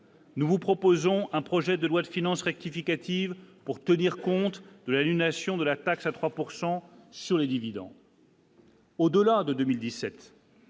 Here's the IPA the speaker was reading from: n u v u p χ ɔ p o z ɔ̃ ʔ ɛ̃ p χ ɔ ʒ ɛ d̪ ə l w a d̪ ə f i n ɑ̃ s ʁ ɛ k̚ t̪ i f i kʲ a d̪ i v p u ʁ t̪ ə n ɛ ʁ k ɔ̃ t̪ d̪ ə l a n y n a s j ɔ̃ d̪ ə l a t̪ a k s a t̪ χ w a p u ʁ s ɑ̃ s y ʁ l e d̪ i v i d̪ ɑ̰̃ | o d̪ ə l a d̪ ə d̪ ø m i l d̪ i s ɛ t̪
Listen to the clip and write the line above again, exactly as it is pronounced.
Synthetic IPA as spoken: n u v u p χ ɔ p o z ɔ̃ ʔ ɛ̃ p χ ɔ ʒ ɛ d̪ ə l w a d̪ ə f i n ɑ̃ s ʁ ɛ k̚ t̪ i f i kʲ a t̪ i v p u ʁ t̪ ə n i ʁ k ɔ̃ t̪ d̪ ə l a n y n a s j ɔ̃ d̪ ə l a t̪ a k s a t̪ χ w a p u ʁ s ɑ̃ s y ʁ l e d̪ i v i d̪ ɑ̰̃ | o d̪ ə l a d̪ ə d̪ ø m i l d̪ i s ɛ t̪